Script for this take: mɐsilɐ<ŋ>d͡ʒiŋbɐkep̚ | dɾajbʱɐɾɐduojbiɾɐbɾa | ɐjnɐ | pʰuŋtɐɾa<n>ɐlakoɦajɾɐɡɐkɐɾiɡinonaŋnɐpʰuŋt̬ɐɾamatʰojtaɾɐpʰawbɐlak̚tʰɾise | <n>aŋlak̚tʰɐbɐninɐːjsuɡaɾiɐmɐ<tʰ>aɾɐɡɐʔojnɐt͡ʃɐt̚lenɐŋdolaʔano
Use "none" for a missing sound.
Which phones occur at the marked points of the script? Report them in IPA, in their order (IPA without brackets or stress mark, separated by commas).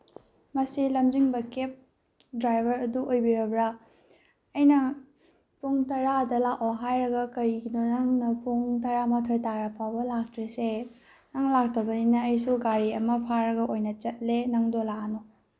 m, d, n, pʰ